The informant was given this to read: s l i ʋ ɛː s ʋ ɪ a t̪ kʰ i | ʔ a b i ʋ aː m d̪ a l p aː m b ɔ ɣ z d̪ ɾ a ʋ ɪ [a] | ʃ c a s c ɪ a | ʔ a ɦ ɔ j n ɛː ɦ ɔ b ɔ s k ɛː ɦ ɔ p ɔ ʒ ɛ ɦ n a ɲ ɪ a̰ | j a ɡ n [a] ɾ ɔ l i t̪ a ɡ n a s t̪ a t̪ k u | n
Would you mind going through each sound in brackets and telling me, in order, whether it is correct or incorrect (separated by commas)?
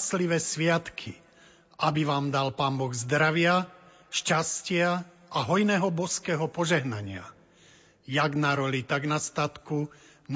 correct, correct